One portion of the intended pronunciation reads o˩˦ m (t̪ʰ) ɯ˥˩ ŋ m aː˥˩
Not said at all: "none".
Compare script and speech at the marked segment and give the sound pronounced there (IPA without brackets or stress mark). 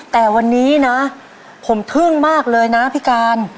t̪ʰ